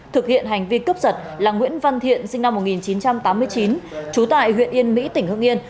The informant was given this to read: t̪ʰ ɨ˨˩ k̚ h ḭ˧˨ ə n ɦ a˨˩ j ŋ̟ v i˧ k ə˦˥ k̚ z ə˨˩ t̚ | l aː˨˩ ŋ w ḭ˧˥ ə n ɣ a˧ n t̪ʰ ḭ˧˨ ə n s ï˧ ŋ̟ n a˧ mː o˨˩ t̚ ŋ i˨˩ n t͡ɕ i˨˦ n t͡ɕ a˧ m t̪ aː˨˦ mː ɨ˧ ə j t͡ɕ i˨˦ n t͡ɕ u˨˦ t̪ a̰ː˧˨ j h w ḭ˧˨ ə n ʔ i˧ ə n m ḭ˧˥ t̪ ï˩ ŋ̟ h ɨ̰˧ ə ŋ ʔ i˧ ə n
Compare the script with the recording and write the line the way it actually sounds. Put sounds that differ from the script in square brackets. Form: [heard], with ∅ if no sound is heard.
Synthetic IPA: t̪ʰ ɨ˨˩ k̚ h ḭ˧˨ ə n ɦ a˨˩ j ŋ̟ v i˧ k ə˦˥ [p̚] z ə˨˩ t̚ | l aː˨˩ ŋ w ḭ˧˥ ə n [v] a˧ n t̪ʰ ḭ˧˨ ə n s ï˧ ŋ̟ n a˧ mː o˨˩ t̚ ŋ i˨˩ n t͡ɕ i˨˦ n t͡ɕ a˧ m t̪ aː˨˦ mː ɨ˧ ə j t͡ɕ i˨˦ n t͡ɕ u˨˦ t̪ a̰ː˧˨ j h w ḭ˧˨ ə n ʔ i˧ ə n m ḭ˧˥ t̪ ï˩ ŋ̟ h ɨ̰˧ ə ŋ ʔ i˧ ə n